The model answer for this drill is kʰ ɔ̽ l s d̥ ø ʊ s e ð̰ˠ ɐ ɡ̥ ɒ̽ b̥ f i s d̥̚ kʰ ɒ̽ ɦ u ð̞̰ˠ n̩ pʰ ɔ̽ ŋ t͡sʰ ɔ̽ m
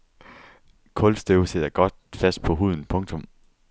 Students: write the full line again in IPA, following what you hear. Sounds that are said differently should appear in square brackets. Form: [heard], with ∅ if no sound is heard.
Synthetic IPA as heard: kʰ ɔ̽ l s d̥ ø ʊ s e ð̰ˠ ɐ ɡ̥ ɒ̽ [d̥] f [æ] s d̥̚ [pʰ] ɒ̽ ɦ u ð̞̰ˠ n̩ pʰ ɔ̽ ŋ t͡sʰ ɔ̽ m

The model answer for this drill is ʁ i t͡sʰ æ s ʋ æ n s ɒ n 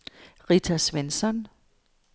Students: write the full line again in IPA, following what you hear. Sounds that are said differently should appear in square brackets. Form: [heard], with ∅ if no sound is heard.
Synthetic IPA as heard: ʁ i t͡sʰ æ s ʋ [e] n s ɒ n

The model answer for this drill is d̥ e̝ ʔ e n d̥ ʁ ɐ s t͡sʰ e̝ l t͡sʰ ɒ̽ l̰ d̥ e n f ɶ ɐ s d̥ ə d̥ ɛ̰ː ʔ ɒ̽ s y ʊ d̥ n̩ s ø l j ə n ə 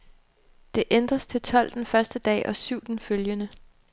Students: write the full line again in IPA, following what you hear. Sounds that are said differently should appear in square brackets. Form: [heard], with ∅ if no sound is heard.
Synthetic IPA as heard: d̥ e̝ ʔ e n d̥ ʁ ɐ s t͡sʰ e̝ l t͡sʰ ɒ̽ l̰ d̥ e n f ɶ ɐ s d̥ ə d̥ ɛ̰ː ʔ ɒ̽ s y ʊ d̥ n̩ [f] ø l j ə n ə

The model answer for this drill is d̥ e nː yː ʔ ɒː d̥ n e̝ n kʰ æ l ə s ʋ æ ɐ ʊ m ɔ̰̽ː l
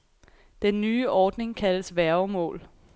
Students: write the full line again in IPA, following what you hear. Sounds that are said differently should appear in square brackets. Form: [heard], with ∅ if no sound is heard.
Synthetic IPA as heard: d̥ e nː yː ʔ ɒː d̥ n e̝ [ŋ] kʰ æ l ə s ʋ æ ɐ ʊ m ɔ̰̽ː l

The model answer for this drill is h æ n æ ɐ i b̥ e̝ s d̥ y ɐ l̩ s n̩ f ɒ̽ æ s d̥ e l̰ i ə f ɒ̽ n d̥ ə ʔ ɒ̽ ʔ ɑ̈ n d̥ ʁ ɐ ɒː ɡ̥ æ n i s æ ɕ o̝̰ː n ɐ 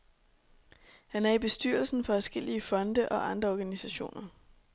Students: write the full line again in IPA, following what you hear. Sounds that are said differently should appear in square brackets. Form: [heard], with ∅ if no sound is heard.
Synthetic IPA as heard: h æ n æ ɐ i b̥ e̝ s d̥ y ɐ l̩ s n̩ f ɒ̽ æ s [ɡ̥] e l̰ i ə f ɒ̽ n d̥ ə ʔ ɒ̽ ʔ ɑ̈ n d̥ ʁ ɐ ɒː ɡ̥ æ n i s æ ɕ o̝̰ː n ɐ

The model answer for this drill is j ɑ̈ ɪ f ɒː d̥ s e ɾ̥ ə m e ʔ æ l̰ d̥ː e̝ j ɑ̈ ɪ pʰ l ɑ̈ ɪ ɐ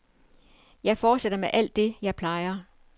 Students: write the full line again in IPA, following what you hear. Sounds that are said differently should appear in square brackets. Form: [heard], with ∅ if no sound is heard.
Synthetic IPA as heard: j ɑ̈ ɪ f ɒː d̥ s e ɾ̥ [ɐ] m e ʔ æ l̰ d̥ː e̝ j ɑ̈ ɪ pʰ l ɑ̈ ɪ ɐ

